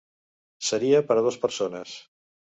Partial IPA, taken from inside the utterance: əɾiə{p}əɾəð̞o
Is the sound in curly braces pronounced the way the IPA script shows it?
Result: yes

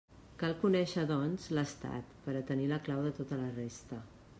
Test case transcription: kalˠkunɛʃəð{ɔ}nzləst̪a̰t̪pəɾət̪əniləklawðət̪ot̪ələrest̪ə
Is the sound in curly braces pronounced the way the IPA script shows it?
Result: yes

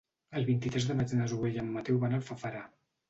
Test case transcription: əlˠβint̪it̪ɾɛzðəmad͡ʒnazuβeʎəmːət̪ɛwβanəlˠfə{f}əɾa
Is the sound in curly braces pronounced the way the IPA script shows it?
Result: yes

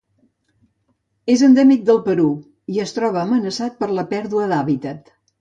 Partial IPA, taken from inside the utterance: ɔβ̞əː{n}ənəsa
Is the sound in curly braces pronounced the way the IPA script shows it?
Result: no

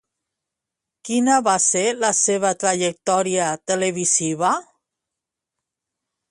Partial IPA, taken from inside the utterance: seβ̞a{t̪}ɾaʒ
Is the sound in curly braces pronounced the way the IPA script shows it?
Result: yes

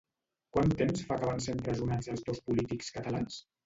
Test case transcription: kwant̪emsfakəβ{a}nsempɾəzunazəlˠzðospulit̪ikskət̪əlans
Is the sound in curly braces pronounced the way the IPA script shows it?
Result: yes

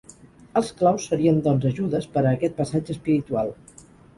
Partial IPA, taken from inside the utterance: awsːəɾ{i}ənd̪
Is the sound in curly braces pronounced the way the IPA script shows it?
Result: yes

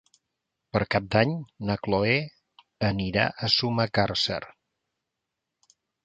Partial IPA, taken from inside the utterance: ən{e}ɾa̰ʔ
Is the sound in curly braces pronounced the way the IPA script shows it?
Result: no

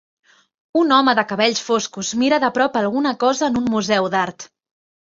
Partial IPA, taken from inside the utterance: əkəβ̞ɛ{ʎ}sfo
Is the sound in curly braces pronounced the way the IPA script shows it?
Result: yes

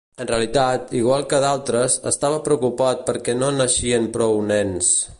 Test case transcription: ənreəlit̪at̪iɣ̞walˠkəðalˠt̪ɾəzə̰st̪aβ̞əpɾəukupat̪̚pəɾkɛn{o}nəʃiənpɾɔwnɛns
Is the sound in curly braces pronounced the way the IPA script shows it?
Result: yes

